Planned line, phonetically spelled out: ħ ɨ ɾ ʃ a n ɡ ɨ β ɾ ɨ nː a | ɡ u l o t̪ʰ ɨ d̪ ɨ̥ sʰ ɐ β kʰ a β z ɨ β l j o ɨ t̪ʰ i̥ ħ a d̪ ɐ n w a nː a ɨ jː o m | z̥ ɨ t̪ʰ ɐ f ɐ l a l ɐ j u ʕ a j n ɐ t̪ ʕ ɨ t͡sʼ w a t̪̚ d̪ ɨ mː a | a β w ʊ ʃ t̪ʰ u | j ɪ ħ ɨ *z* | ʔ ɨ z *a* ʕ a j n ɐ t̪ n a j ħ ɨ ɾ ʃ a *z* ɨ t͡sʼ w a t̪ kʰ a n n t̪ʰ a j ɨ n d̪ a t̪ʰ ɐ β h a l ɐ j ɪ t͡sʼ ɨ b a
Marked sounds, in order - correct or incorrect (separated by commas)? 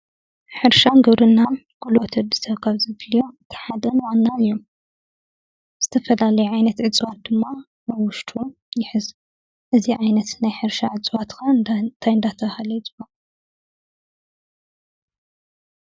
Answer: correct, incorrect, incorrect